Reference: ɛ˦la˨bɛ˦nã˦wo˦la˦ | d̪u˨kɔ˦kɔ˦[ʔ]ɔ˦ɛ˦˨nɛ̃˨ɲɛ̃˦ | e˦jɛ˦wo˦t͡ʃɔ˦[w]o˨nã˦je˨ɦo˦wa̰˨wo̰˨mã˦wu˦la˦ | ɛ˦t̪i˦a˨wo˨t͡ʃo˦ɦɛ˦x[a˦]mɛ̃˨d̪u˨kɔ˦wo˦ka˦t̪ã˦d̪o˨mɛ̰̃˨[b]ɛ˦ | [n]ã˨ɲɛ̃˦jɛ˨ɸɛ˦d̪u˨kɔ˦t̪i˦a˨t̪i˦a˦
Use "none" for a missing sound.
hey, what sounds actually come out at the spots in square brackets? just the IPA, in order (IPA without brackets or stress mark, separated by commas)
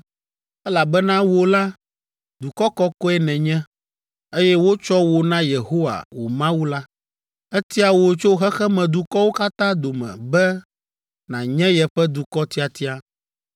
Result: k, w, ɛ˦, b, n